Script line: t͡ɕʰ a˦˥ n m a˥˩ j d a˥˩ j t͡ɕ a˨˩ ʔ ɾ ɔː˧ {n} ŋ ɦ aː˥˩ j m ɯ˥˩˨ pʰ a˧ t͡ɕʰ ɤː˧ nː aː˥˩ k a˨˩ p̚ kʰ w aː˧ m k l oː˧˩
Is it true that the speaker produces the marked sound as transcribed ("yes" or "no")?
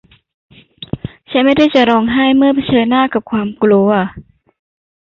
no